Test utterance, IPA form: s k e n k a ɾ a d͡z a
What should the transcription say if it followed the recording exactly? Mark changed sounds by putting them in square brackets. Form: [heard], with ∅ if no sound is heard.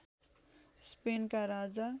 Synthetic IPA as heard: s [p] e n k a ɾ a d͡z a